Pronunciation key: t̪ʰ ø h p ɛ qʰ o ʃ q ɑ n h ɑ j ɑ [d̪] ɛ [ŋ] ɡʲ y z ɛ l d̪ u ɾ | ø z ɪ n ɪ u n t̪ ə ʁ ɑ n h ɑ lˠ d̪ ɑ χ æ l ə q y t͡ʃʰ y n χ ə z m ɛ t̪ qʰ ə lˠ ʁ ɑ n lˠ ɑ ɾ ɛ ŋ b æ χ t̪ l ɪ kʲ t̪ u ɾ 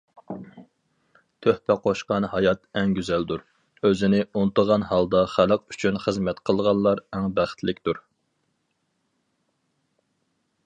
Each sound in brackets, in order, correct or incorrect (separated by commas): incorrect, correct